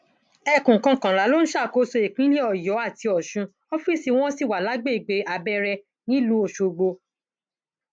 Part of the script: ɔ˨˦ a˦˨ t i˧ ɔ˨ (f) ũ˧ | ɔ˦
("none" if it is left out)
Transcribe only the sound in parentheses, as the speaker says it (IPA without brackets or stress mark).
ʃ